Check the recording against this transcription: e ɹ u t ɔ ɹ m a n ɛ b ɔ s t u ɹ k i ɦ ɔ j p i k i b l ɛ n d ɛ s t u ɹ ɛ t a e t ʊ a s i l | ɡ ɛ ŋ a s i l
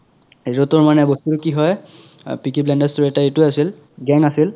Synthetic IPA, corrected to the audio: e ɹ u t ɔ ɹ m a n ɛ b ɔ s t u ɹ k i ɦ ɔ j p i k i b l ɛ n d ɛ s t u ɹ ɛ t a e t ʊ a s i l | ɡ ɛ ŋ a s i l